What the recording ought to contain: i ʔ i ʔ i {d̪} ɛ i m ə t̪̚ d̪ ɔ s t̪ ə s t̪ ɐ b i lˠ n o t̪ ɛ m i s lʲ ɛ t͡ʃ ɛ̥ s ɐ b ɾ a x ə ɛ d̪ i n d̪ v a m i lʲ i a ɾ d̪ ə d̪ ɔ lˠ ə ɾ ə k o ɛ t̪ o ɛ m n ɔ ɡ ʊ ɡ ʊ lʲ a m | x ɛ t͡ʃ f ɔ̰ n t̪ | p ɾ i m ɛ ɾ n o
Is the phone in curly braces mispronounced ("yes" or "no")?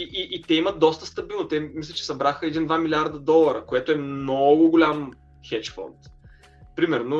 yes